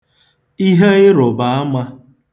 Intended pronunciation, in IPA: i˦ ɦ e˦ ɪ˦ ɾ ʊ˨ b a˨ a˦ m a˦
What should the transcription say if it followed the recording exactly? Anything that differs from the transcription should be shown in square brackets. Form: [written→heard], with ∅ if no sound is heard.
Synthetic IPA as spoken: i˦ ɦ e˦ ɪ˦ ɾ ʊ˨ b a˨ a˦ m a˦